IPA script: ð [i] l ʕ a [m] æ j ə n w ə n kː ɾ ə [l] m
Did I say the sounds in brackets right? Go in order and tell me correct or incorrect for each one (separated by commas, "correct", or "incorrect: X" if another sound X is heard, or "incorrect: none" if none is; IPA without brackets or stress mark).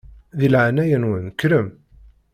correct, incorrect: n, incorrect: none